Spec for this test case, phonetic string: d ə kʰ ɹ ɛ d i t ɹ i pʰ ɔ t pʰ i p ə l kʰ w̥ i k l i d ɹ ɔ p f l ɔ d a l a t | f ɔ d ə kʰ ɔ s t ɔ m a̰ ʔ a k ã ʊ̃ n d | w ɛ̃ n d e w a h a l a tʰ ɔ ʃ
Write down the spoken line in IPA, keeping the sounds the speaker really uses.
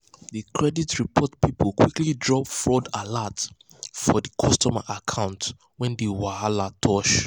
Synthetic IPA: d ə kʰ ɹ ɛ d i t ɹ i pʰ ɔ t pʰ i p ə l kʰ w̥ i k l i d ɹ ɔ p f ɹ ɔ d a l a t | f ɔ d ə kʰ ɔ s t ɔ m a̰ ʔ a kʰ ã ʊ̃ n t | w ɛ̃ n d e w a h a l a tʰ ɔ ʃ